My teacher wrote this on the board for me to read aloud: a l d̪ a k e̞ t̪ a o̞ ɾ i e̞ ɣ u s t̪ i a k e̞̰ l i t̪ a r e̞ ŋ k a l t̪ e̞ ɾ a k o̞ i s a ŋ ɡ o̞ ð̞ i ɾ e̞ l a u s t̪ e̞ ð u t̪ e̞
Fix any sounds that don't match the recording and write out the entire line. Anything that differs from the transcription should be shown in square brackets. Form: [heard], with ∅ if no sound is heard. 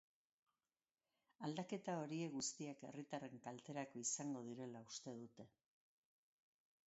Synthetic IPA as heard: a l d̪ a k e̞ t̪ a o̞ ɾ i e̞ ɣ u s t̪ i a k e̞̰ [r] i t̪ a r e̞ ŋ k a l t̪ e̞ ɾ a k o̞ i s a ŋ ɡ o̞ ð̞ i ɾ e̞ l a u s t̪ e̞ ð u t̪ e̞

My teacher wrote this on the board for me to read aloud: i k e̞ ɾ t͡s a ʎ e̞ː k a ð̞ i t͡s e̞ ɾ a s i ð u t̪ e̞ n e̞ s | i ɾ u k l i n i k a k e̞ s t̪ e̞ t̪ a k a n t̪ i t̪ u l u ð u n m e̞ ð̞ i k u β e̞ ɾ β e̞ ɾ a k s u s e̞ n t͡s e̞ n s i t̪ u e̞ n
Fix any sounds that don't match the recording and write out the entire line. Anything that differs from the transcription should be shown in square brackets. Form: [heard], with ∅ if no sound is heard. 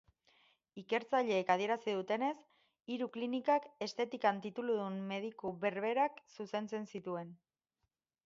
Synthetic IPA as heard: i k e̞ ɾ t͡s a ʎ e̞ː k a ð̞ i [∅] e̞ ɾ a s i ð u t̪ e̞ n e̞ s | i ɾ u k l i n i k a k e̞ s t̪ e̞ t̪ [i] k a n t̪ i t̪ u l u ð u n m e̞ ð̞ i k u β e̞ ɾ β e̞ ɾ a k s u s e̞ n t͡s e̞ n s i t̪ u e̞ n

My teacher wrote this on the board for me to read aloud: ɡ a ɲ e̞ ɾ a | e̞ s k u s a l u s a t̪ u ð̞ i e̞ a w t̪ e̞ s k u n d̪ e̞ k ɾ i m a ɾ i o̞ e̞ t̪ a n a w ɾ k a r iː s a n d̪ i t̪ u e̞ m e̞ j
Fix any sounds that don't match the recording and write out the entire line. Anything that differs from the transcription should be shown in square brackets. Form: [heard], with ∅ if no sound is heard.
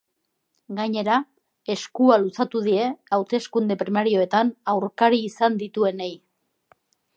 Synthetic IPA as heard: ɡ a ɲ e̞ ɾ a | e̞ s k u [∅] a l u s a t̪ u ð̞ i e̞ a w t̪ e̞ s k u n d̪ e̞ [p] ɾ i m a ɾ i o̞ e̞ t̪ a n a w ɾ k a [ɾ] iː s a n d̪ i t̪ u e̞ [n] e̞ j

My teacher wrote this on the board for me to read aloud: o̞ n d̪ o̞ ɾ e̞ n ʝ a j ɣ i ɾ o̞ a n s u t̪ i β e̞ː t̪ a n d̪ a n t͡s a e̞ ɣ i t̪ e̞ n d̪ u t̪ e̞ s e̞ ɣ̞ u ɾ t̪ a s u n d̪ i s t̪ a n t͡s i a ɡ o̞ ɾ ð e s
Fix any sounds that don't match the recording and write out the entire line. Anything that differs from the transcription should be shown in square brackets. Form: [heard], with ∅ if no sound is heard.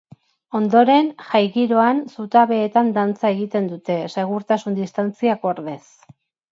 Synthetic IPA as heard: o̞ n d̪ o̞ ɾ e̞ n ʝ a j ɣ i ɾ o̞ a n s u t̪ [a] β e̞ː t̪ a n d̪ a n t͡s a e̞ ɣ i t̪ e̞ n d̪ u t̪ e̞ s e̞ ɣ̞ u ɾ t̪ a s u n d̪ i s t̪ a n t͡s i a [k] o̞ ɾ ð e s

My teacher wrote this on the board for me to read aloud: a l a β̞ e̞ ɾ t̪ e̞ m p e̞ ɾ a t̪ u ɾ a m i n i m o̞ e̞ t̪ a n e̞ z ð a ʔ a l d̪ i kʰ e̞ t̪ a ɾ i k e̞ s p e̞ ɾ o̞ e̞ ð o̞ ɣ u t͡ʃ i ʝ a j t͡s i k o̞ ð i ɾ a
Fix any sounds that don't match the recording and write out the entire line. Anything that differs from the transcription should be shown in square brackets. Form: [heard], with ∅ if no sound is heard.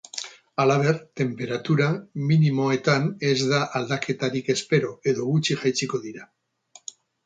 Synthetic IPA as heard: a l a β̞ e̞ ɾ t̪ e̞ m p e̞ ɾ a t̪ u ɾ a m i n i m o̞ e̞ t̪ a n e̞ z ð a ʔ a l d̪ [a] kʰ e̞ t̪ a ɾ i k e̞ s p e̞ ɾ o̞ e̞ ð o̞ ɣ u t͡ʃ i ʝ a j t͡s i k o̞ ð i ɾ a

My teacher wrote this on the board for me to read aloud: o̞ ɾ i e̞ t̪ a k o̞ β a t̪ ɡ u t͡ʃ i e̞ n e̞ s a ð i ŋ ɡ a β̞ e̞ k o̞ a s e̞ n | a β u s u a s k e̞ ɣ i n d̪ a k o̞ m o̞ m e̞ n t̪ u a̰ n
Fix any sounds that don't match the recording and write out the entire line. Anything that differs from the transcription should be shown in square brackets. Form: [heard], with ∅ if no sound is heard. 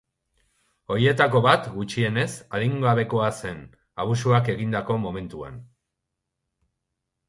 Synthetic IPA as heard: o̞ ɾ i e̞ t̪ a k o̞ β a t̪ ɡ u t͡ʃ i e̞ n e̞ s a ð i ŋ ɡ a β̞ e̞ k o̞ a s e̞ n | a β u s u a [∅] k e̞ ɣ i n d̪ a k o̞ m o̞ m e̞ n t̪ u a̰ n

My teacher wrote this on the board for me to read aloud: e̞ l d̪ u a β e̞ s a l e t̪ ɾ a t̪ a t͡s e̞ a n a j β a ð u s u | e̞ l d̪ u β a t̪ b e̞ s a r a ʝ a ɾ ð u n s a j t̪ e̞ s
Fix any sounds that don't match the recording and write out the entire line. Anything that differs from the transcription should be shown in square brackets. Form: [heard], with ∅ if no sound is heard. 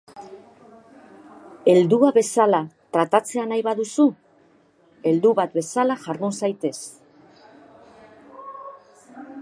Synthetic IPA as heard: e̞ l d̪ u a β e̞ s a l [a] t̪ ɾ a t̪ a t͡s e̞ a n a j β a ð u s u | e̞ l d̪ u β a t̪ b e̞ s a [l] a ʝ a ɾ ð u n s a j t̪ e̞ s

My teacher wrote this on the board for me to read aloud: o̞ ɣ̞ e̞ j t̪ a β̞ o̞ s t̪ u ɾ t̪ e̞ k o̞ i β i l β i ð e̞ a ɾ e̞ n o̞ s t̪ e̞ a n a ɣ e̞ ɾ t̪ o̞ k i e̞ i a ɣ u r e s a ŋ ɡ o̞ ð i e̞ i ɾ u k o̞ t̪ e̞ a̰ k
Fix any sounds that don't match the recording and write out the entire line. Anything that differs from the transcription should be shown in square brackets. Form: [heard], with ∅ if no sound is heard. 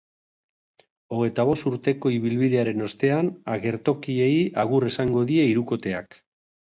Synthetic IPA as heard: o̞ ɣ̞ e̞ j t̪ a β̞ o̞ s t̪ u ɾ t̪ e̞ k o̞ i β i l β i ð e̞ a ɾ e̞ n o̞ s t̪ e̞ a n a ɣ e̞ ɾ t̪ o̞ k i e̞ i a ɣ u r e s a ŋ ɡ o̞ ð i e̞ i ɾ u k o̞ t̪ e̞ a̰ k

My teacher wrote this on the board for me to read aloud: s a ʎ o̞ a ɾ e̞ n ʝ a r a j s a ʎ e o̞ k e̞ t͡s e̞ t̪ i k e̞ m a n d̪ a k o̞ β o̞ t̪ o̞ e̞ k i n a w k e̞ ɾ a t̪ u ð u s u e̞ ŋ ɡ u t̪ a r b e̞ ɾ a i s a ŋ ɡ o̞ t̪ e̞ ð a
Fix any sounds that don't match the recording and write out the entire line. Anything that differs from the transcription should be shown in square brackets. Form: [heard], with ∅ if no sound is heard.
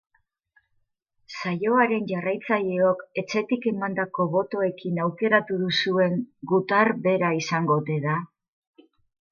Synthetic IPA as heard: s a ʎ o̞ a ɾ e̞ n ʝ a r a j [t͡s] a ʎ e o̞ k e̞ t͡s e̞ t̪ i k e̞ m a n d̪ a k o̞ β o̞ t̪ o̞ e̞ k i n a w k e̞ ɾ a t̪ u ð u s u e̞ ŋ ɡ u t̪ a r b e̞ ɾ a i s a ŋ ɡ o̞ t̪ e̞ ð a

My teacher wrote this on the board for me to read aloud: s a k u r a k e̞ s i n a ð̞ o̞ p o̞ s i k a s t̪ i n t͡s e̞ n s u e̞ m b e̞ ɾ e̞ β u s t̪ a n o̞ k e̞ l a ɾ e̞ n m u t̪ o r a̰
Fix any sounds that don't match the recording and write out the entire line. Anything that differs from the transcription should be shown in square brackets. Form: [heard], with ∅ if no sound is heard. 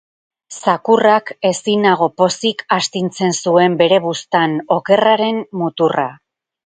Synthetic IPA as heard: s a k u r a k e̞ s i n a [ɣ̞] o̞ p o̞ s i k a s t̪ i n t͡s e̞ n s u e̞ m b e̞ ɾ e̞ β u s t̪ a n o̞ k e̞ [r] a ɾ e̞ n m u t̪ [u] r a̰

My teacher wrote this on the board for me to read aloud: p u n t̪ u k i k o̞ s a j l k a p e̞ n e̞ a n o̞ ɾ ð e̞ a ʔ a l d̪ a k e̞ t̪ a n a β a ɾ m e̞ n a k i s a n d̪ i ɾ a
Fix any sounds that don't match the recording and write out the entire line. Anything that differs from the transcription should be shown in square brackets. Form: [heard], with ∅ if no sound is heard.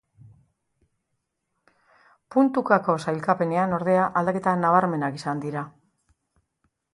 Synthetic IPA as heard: p u n t̪ u k [a] k o̞ s a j l k a p e̞ n e̞ a n o̞ ɾ ð e̞ a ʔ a l d̪ a k e̞ t̪ a n a β a ɾ m e̞ n a k i s a n d̪ i ɾ a

